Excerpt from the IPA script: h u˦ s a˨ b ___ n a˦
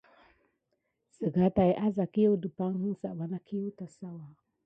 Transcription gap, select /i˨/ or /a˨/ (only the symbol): a˨